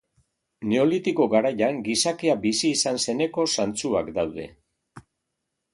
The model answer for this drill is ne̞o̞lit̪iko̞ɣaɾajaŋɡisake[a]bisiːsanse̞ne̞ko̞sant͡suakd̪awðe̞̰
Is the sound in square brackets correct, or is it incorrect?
correct